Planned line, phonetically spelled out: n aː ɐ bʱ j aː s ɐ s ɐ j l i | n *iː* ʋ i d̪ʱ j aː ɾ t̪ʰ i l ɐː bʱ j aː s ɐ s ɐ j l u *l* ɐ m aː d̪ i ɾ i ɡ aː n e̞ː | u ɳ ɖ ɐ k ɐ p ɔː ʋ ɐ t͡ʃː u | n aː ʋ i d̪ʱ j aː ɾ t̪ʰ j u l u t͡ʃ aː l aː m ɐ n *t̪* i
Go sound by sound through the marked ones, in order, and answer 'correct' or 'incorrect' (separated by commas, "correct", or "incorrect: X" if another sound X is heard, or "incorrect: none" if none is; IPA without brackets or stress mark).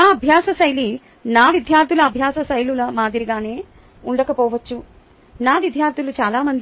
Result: incorrect: aː, correct, incorrect: d̪